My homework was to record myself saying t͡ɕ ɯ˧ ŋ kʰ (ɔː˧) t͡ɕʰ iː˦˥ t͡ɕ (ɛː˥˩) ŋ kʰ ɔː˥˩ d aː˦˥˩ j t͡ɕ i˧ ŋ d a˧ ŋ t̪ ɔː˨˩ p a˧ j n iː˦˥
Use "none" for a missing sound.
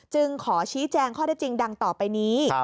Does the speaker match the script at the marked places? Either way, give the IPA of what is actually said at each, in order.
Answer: ɔː˩˦, ɛː˧

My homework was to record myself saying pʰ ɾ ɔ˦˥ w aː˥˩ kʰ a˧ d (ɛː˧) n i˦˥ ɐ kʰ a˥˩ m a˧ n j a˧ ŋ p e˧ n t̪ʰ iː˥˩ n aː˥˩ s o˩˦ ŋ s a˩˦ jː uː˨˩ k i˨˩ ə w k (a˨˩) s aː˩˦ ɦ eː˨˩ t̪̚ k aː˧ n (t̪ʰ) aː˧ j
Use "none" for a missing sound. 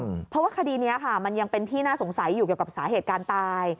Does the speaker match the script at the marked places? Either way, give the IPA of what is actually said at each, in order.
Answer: iː˧, a˨˩, t̪

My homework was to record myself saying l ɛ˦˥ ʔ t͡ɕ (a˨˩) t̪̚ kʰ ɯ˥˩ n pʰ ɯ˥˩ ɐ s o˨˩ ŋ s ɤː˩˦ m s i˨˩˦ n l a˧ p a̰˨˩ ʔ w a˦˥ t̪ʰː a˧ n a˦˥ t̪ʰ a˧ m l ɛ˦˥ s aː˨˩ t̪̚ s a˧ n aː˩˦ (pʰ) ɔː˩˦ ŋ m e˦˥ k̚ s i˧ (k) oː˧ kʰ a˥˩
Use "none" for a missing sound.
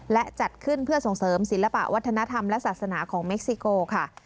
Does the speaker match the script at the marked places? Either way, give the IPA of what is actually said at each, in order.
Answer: a˨˩, kʰ, k

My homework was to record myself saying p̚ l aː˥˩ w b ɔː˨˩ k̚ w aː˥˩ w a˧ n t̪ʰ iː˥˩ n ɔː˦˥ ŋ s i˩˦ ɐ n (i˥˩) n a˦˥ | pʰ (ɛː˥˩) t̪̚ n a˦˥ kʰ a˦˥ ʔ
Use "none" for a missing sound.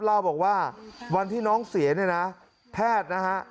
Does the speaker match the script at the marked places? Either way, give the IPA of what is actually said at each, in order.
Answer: i˥˩, ɛː˥˩

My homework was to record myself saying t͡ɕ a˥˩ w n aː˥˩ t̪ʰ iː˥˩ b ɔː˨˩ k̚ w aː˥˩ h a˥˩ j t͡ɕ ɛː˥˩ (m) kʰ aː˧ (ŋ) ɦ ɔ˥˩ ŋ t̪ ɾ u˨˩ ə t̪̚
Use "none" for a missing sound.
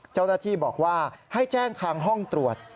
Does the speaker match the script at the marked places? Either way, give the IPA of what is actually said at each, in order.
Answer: ŋ, ŋ

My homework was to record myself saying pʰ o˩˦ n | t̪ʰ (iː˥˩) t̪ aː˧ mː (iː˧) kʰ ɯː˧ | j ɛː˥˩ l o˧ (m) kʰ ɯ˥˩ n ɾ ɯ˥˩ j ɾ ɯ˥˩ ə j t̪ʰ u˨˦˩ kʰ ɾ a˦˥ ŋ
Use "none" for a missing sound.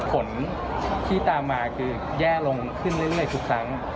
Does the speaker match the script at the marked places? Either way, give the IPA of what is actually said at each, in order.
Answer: iː˥˩, aː˧, ŋ

